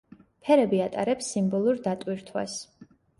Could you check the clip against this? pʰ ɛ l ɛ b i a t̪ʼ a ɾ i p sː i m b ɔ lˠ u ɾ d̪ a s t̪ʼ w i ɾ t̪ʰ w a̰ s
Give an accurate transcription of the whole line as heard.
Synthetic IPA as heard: pʰ ɛ ɾ ɛ b i a t̪ʼ a ɾ ɛ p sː i m b ɔ lˠ u ɾ d̪ a t̪ʼ w i ɾ t̪ʰ w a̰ s